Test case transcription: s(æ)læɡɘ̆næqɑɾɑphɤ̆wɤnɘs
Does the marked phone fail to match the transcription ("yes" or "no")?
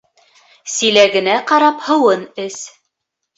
yes